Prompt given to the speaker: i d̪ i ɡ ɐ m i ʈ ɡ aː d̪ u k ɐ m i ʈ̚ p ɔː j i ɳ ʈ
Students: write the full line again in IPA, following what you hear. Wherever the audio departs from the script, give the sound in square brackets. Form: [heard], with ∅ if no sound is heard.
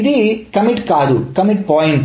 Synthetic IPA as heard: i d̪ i [k] ɐ m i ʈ [k] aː d̪ u k ɐ m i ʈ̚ p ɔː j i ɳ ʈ